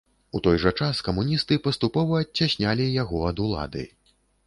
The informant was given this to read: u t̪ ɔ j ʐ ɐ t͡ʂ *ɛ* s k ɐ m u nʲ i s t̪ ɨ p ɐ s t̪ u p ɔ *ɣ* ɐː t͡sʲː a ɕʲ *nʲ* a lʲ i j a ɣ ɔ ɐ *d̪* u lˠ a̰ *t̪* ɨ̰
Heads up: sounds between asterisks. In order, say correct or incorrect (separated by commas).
incorrect, incorrect, correct, correct, incorrect